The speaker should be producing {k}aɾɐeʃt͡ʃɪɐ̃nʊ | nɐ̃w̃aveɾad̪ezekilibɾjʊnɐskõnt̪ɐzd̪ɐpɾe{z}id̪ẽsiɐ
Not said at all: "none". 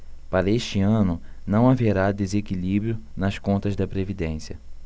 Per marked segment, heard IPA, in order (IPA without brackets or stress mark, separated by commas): p, v